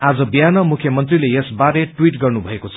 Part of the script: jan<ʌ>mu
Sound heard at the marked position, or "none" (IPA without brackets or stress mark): ʌ